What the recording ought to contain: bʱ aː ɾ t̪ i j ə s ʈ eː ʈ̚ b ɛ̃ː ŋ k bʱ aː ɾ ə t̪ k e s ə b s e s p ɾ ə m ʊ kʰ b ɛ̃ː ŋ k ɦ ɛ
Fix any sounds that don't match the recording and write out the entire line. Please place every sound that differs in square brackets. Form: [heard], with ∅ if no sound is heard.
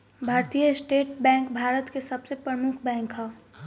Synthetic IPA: bʱ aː ɾ t̪ i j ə s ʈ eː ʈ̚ b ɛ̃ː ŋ k bʱ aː ɾ ə t̪ k e s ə b s e [∅] p ɾ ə m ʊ kʰ b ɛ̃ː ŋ k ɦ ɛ